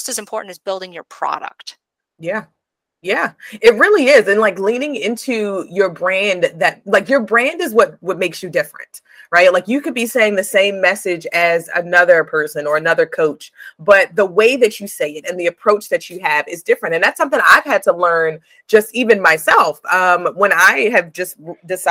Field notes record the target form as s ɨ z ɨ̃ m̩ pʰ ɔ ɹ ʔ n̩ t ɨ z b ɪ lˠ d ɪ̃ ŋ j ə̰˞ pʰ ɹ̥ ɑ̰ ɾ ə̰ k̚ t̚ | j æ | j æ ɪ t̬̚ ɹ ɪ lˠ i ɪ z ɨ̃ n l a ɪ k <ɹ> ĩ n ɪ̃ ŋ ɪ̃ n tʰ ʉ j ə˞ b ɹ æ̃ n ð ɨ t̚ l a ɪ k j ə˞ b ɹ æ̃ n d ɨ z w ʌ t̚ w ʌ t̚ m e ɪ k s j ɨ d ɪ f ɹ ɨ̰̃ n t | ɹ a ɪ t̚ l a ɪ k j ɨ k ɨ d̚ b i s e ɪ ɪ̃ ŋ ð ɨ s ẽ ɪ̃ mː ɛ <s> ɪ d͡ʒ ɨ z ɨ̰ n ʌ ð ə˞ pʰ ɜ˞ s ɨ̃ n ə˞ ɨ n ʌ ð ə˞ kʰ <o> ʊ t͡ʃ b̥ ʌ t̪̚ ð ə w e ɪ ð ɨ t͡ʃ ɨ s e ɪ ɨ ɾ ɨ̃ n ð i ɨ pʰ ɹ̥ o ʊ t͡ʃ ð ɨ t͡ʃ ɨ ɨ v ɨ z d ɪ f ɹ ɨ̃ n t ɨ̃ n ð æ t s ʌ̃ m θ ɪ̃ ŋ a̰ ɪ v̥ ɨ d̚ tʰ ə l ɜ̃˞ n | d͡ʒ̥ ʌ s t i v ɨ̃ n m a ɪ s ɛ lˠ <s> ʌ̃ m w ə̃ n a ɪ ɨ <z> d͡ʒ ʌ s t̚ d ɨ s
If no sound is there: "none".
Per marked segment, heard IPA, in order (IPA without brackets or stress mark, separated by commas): l, s, o, f, v